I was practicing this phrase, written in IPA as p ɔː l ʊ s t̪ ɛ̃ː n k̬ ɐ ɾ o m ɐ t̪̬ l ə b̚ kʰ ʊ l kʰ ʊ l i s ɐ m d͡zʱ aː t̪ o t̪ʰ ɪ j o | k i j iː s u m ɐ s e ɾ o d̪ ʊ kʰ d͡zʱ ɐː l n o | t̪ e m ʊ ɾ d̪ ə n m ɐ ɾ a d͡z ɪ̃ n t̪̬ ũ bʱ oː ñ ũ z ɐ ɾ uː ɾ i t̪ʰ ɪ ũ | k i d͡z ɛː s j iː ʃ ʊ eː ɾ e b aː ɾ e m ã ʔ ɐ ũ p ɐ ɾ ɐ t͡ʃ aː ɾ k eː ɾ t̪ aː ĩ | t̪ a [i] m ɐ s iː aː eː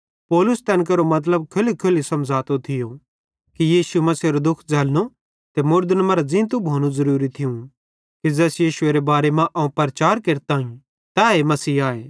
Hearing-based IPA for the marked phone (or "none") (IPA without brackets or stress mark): e